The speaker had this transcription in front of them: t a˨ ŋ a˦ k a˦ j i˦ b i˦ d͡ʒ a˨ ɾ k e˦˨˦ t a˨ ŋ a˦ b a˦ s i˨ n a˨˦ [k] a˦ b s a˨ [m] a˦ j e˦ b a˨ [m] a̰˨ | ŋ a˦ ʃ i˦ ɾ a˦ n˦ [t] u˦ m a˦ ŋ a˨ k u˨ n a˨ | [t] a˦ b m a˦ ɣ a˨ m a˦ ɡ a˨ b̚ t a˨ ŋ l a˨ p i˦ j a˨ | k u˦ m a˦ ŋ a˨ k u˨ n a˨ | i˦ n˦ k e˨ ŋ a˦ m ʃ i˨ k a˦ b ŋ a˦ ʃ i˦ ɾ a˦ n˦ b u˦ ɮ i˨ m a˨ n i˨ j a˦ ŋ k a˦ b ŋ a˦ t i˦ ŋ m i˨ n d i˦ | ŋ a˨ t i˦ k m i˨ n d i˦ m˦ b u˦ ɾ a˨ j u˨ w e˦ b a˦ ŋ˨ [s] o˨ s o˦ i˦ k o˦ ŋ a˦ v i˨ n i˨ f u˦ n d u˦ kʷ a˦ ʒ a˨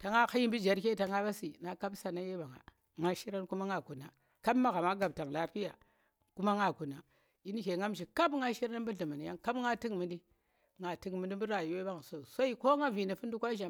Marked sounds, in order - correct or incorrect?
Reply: correct, incorrect: n, incorrect: ŋ, incorrect: k, incorrect: k, correct

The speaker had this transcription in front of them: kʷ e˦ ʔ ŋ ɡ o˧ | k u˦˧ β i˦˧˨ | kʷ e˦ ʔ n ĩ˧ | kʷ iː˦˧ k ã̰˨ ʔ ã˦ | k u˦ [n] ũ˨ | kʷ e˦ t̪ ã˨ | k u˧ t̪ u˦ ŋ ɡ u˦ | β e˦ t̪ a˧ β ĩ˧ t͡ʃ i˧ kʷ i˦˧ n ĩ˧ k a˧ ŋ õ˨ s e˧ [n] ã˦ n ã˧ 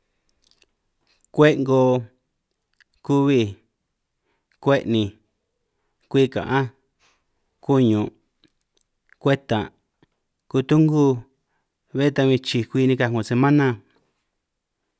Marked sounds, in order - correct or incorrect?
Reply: incorrect: ɲ, incorrect: m

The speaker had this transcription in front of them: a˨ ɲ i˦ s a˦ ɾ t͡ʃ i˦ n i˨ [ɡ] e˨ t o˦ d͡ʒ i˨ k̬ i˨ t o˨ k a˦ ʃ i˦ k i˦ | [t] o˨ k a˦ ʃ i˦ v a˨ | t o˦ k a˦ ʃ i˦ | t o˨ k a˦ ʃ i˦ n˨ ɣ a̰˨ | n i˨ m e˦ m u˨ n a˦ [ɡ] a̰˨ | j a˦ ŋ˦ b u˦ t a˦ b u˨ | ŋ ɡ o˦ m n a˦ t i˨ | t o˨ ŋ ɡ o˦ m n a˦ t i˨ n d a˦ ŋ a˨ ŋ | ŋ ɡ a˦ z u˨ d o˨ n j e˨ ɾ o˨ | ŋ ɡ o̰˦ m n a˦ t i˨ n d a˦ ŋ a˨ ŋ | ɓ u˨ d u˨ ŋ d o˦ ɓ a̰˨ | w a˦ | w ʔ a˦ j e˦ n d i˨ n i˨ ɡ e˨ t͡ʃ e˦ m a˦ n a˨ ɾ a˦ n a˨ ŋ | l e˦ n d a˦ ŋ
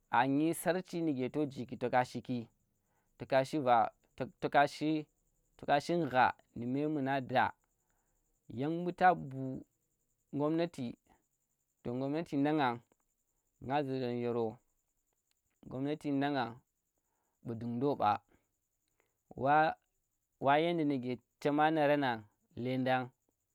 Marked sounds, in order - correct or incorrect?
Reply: correct, correct, incorrect: d

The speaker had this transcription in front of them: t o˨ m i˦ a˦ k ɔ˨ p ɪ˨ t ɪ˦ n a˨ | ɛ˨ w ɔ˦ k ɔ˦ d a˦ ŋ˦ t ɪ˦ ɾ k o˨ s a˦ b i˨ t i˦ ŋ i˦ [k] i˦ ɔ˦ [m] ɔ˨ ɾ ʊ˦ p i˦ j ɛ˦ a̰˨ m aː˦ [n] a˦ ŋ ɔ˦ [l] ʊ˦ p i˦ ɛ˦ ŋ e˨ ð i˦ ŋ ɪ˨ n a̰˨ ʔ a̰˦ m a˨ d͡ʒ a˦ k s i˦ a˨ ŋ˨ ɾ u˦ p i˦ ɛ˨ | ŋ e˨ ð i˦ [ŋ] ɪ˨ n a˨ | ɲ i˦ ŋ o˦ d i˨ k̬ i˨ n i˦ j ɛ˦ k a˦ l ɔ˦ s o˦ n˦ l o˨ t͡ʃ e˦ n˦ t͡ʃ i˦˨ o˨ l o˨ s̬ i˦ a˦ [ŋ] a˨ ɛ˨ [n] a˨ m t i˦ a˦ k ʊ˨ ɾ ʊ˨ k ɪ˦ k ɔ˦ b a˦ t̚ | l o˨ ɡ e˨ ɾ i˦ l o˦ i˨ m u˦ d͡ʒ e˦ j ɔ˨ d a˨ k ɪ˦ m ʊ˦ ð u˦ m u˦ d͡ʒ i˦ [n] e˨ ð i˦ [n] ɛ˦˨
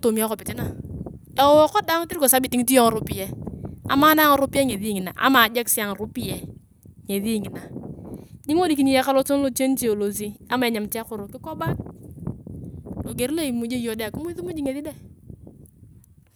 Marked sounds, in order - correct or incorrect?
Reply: incorrect: t, incorrect: ŋ, correct, incorrect: ɾ, correct, incorrect: m, incorrect: ɲ, incorrect: ŋ, incorrect: d

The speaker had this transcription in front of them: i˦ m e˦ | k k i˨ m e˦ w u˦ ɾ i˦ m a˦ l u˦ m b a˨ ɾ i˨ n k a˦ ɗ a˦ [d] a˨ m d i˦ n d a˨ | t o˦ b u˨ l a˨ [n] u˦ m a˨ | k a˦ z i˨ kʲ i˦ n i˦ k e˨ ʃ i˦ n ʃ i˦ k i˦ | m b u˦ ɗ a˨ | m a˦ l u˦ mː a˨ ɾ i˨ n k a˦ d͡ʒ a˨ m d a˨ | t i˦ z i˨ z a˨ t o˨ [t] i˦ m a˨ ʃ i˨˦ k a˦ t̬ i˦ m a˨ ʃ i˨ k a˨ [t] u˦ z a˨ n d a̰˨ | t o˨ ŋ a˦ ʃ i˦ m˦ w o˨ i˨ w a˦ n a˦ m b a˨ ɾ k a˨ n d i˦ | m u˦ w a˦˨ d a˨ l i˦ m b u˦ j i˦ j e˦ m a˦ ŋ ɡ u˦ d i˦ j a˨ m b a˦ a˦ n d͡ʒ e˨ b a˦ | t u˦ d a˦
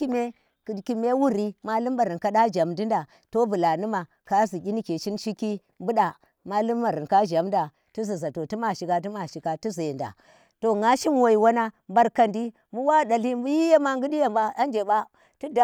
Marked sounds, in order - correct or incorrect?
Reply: incorrect: d͡ʒ, correct, correct, correct

